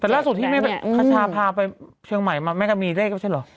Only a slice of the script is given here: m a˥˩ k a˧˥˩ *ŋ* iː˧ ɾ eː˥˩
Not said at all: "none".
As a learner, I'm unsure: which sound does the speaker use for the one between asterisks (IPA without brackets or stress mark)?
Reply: m